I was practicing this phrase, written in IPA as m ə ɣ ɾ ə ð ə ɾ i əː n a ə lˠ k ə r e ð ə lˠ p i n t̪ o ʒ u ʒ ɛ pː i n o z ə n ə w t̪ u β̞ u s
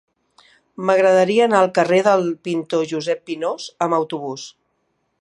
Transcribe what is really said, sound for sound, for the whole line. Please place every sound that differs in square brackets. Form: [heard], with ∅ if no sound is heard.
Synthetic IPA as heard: m ə ɣ ɾ ə ð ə ɾ i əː n a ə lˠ k ə r e ð ə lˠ p i n t̪ o ʒ u [z] ɛ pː i n o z ə [m] ə w t̪ u β̞ u s